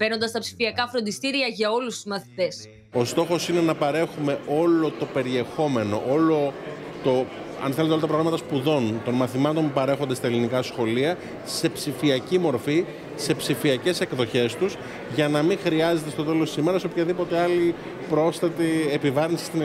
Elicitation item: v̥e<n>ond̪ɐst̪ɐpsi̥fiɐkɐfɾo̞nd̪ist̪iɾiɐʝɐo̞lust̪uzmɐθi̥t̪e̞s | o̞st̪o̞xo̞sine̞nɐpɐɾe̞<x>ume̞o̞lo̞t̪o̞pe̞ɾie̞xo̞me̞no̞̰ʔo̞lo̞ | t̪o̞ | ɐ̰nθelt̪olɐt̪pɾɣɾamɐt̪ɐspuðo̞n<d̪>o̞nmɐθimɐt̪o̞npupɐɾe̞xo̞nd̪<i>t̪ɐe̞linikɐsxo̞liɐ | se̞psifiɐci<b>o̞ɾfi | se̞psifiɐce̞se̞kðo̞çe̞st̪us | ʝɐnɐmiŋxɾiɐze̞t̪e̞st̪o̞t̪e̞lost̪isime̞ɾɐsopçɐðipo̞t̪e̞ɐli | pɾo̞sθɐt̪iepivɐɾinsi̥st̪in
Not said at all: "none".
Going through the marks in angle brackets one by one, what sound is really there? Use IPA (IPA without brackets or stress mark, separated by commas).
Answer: n, x, t̪, e, m